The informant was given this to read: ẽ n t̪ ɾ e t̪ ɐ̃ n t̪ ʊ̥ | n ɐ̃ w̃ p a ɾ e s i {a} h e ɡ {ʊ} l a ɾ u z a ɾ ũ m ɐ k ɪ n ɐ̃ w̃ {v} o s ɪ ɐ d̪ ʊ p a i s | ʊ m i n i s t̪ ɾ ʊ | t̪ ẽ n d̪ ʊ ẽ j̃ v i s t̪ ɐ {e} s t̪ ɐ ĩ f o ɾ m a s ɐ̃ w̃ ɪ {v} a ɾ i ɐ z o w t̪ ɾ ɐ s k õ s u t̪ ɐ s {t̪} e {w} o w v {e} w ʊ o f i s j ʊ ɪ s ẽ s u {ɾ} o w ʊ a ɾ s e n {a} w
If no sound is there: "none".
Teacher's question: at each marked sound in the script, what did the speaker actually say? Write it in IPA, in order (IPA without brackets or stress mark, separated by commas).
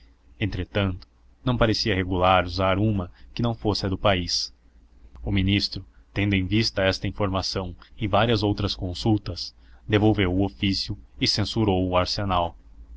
ɐ, u, f, ɛ, v, d̪, v, e, ɾ, a